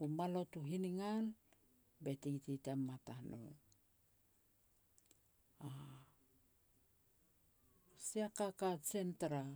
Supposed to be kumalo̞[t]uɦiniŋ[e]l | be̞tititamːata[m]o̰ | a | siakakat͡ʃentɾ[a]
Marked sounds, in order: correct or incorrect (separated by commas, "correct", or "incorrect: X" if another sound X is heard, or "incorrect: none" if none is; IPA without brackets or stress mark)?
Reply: correct, incorrect: a, incorrect: n, correct